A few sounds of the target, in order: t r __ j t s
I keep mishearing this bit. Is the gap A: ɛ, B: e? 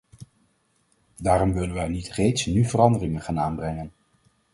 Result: B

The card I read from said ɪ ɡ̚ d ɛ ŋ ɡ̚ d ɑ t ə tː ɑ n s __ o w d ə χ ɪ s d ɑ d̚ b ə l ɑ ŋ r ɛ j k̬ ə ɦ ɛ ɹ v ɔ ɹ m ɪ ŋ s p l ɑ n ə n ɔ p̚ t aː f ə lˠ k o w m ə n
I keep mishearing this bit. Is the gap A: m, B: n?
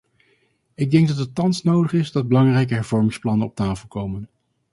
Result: B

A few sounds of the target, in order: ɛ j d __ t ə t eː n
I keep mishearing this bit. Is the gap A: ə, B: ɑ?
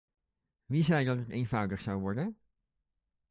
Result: B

